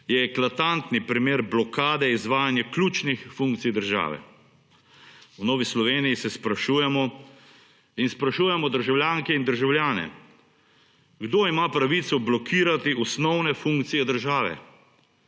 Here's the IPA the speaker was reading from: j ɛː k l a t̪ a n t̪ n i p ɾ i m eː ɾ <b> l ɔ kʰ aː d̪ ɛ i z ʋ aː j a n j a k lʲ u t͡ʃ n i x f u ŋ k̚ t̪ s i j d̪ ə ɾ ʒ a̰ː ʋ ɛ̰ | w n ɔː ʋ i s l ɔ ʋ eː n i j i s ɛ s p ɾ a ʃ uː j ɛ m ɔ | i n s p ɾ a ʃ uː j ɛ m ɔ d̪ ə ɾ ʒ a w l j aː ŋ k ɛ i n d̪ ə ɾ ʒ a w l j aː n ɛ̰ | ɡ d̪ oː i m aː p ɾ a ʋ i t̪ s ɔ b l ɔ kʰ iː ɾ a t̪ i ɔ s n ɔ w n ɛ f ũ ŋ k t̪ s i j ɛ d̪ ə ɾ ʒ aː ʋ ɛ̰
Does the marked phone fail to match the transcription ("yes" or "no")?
no